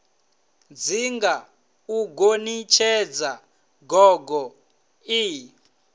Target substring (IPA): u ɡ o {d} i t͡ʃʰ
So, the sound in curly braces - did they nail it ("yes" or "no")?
no